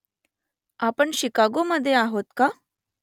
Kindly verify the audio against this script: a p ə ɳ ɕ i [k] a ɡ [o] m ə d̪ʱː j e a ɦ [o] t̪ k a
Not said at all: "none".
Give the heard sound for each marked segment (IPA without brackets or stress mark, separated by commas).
k, o, o